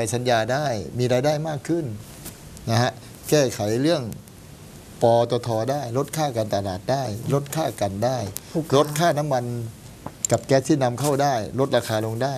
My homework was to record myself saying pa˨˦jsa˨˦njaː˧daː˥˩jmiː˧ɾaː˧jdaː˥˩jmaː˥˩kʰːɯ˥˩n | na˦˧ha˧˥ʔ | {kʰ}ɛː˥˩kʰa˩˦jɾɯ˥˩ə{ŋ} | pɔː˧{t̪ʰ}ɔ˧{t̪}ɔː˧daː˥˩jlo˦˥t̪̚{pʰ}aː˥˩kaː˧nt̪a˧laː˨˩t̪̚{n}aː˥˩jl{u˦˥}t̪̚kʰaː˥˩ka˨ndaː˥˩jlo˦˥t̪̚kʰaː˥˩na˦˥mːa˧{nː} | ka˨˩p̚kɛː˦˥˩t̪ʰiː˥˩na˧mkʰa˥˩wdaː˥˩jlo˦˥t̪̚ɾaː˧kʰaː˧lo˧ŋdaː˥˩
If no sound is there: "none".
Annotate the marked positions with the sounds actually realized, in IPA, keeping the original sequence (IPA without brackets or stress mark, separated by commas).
k, ŋ, t̪, t̪ʰ, kʰ, d, o˦˥, n